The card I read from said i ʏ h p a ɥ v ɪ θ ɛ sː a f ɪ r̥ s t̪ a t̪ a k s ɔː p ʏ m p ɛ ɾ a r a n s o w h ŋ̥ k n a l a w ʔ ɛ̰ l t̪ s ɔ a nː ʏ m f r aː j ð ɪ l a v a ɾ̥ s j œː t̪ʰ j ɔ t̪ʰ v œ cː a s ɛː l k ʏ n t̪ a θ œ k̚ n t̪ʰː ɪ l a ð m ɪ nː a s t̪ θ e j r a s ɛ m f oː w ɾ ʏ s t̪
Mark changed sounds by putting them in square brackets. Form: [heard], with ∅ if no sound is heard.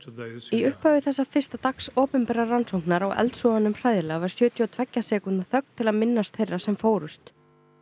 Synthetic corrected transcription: i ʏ h p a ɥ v ɪ θ ɛ sː a f ɪ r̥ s t̪ a t̪ a k s ɔː p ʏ m p ɛ ɾ a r a n s o w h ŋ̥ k n a [ɾ] a w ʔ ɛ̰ l t̪ s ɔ a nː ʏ m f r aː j ð ɪ l a v a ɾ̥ s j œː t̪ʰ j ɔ t̪ʰ v [ɛ] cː a s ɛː [∅] k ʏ n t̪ a θ œ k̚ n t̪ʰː ɪ l a ð m ɪ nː a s t̪ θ e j r a s ɛ m f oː w ɾ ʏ s t̪